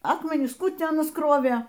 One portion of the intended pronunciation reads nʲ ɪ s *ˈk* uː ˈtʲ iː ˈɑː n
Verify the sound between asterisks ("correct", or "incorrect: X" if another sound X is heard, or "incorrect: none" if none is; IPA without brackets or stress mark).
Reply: correct